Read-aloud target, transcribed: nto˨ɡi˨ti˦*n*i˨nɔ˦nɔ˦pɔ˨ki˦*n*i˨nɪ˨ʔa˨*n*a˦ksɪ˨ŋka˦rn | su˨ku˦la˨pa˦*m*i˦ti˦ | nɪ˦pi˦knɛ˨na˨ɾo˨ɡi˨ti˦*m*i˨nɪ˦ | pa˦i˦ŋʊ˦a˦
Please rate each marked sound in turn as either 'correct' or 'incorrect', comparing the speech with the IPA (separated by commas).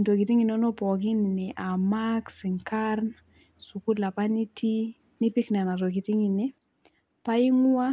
incorrect, correct, incorrect, incorrect, incorrect